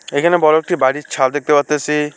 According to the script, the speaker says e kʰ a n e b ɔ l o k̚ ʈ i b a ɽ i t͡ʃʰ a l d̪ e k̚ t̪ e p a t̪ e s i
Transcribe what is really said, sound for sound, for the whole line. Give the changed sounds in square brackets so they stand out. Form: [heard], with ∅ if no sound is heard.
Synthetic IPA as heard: e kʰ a n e b ɔ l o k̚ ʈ i b a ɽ i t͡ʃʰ a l d̪ e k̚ t̪ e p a t̪ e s i